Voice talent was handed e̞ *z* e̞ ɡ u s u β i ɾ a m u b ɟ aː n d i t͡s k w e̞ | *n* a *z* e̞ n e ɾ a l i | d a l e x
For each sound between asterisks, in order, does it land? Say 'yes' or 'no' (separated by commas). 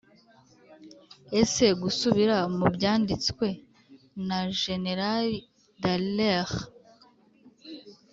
no, yes, no